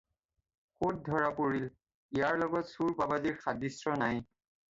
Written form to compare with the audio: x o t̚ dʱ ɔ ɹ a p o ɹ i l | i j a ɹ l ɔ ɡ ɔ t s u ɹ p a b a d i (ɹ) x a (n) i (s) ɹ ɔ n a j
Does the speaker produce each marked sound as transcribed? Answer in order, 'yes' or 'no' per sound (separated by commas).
yes, no, yes